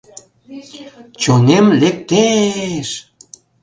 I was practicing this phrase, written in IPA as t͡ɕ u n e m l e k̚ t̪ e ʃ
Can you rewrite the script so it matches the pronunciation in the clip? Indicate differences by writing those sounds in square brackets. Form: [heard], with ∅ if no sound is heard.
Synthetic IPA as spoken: t͡ɕ [o] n e m l e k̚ t̪ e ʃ